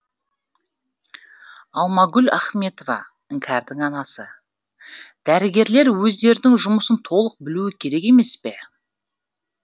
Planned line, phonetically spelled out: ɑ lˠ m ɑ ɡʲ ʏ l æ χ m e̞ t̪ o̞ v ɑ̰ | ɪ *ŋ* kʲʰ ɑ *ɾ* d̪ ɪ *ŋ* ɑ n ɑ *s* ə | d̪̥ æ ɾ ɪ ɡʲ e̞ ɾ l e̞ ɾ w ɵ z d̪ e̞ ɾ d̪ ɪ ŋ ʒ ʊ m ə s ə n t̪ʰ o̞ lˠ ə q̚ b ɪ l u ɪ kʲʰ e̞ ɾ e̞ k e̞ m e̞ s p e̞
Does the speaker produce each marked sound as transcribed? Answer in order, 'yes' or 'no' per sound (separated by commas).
yes, yes, yes, yes